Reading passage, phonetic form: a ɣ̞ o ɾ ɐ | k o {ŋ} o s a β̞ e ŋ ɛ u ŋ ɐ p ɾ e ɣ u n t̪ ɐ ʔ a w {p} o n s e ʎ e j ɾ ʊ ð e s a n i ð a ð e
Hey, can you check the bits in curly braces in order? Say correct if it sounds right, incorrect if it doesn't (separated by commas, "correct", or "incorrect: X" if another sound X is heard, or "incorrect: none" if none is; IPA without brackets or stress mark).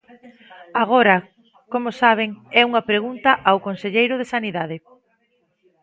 incorrect: m, incorrect: k